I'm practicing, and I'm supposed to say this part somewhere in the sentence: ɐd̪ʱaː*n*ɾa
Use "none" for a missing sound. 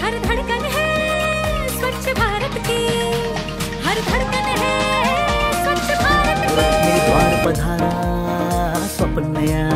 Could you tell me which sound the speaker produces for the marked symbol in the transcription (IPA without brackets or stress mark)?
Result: none